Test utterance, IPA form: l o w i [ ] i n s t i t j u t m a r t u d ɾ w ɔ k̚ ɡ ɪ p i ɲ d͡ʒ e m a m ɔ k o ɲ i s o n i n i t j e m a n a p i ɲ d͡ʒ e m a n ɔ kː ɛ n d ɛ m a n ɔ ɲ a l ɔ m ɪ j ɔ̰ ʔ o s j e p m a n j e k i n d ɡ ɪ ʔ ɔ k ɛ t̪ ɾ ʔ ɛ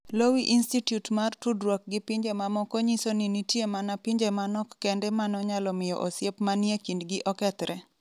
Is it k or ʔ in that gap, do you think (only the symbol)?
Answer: ʔ